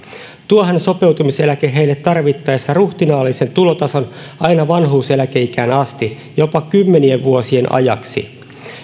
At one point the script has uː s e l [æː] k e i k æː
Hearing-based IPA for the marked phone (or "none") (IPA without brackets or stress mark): æ